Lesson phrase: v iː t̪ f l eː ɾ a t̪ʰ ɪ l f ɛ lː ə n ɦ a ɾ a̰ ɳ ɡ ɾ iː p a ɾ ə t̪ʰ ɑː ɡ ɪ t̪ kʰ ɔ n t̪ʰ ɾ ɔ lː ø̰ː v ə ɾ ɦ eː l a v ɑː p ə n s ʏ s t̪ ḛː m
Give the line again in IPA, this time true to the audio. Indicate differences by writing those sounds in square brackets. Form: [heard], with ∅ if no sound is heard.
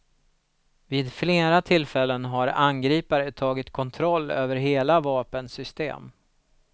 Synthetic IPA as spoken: v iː [d̪] f l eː ɾ a t̪ʰ ɪ l f ɛ lː ə n ɦ a ɾ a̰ [n] ɡ ɾ iː p a ɾ ə t̪ʰ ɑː ɡ ɪ t̪ kʰ ɔ n t̪ʰ ɾ ɔ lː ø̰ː v ə ɾ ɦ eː l a v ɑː p ə n s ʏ s t̪ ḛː m

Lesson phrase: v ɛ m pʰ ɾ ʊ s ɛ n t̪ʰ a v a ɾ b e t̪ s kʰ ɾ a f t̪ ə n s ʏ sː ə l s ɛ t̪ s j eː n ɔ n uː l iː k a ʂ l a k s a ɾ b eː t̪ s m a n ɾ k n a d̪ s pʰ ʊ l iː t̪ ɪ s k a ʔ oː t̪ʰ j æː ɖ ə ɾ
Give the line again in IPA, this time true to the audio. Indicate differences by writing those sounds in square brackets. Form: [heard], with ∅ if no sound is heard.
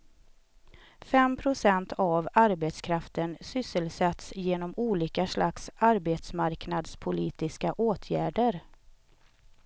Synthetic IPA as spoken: [f] ɛ m pʰ ɾ ʊ s ɛ n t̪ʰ a v a ɾ b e t̪ s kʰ ɾ a f t̪ ə n s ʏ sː ə l s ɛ t̪ s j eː n ɔ [m] uː l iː k a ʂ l a k s a ɾ b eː t̪ s m a [∅] ɾ k n a d̪ s pʰ ʊ l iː t̪ ɪ s k a ʔ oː t̪ʰ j æː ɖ ə ɾ

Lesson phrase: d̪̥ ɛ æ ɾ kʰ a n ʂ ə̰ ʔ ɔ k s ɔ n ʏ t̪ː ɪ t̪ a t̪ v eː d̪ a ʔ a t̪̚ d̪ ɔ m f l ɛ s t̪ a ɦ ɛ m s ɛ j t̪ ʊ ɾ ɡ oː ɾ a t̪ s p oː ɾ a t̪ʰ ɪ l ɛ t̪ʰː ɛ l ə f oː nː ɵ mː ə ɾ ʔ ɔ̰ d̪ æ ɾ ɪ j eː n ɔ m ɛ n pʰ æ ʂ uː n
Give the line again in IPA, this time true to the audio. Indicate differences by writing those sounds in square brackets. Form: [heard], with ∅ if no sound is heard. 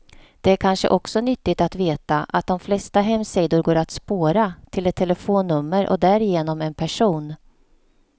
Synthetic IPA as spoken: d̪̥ ɛ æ ɾ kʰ a n ʂ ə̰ ʔ ɔ k s ɔ n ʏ t̪ː ɪ t̪ a t̪ v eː [t̪] a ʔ a t̪̚ d̪ ɔ m f l ɛ s t̪ a ɦ ɛ m s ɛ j [d̪] ʊ ɾ ɡ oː ɾ a t̪ s p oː ɾ a t̪ʰ ɪ l ɛ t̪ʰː ɛ l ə f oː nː ɵ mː ə ɾ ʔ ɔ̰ d̪ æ ɾ ɪ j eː n ɔ m ɛ n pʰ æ ʂ uː n

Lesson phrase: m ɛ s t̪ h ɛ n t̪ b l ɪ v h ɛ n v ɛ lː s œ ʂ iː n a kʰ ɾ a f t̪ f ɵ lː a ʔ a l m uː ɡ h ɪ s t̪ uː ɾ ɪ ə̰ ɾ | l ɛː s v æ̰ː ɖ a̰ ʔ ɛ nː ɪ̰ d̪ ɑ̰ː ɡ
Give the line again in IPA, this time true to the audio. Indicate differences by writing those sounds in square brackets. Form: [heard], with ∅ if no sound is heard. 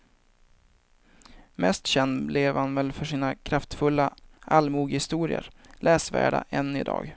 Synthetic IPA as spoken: m ɛ s t̪ [ɕ] ɛ n [d̪] b l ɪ v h [a] n v ɛ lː [f] œ ʂ iː n a kʰ ɾ a f t̪ f ɵ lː a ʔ a l m uː ɡ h ɪ s t̪ uː ɾ ɪ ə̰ ɾ | l ɛː s v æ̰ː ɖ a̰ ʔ ɛ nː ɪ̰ d̪ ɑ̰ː ɡ

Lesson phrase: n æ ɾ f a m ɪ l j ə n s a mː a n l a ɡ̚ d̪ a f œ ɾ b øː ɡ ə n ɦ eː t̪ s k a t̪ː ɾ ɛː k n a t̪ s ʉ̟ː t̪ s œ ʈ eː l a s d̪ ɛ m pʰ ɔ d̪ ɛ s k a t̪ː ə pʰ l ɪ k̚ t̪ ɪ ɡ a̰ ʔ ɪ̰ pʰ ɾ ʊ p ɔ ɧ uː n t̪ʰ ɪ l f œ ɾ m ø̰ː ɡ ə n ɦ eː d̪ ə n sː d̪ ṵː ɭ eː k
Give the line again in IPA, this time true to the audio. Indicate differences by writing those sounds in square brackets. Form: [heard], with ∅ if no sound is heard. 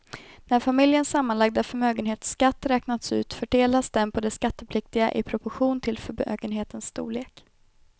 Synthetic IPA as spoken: n æ ɾ f a m ɪ l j ə n s a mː a n l a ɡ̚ d̪ a f œ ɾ [m] øː ɡ ə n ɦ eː t̪ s k a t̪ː ɾ ɛː k n a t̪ s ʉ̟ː t̪ [f] œ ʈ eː l a s d̪ ɛ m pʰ ɔ d̪ ɛ s k a t̪ː ə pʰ l ɪ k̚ t̪ ɪ ɡ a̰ ʔ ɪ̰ pʰ ɾ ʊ p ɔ ɧ uː n t̪ʰ ɪ l f œ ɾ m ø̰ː ɡ ə n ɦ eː [t̪] ə n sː [t̪] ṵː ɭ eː k

